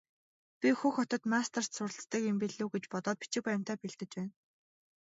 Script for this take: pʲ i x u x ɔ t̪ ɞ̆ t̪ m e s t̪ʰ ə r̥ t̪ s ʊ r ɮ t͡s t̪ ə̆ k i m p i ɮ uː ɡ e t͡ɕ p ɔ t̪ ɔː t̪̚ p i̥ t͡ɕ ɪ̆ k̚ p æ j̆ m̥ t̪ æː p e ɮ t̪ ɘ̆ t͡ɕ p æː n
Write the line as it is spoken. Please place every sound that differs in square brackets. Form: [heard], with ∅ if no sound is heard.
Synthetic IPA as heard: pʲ i x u x ɔ t̪ ɞ̆ t̪ m [a] s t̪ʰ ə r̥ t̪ s ʊ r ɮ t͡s t̪ ə̆ k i m p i ɮ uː ɡ e t͡ɕ p ɔ t̪ ɔː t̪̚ p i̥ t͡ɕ ɪ̆ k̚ p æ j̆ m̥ t̪ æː p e ɮ t̪ ɘ̆ t͡ɕ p æː n